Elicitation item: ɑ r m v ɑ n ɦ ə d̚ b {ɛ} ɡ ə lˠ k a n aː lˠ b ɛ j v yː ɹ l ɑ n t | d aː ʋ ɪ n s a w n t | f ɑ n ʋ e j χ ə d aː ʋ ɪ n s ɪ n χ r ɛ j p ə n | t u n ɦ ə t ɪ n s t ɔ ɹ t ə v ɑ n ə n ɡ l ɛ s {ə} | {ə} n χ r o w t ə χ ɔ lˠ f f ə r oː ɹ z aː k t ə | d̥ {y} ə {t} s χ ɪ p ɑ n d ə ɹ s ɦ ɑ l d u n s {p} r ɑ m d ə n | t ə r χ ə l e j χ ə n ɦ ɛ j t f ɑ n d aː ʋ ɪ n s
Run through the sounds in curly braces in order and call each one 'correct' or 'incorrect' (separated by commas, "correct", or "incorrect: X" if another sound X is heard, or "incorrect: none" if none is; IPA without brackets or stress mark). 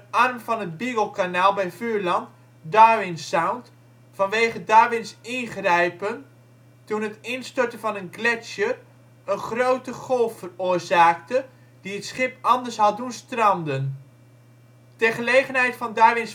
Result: incorrect: i, correct, correct, incorrect: i, correct, incorrect: t